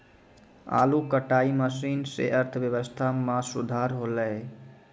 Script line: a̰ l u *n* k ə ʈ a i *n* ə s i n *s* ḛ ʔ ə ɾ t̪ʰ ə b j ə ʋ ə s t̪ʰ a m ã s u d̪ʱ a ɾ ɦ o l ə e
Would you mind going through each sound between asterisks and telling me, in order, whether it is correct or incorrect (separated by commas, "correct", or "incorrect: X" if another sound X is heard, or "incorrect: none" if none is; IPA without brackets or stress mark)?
incorrect: none, incorrect: m, correct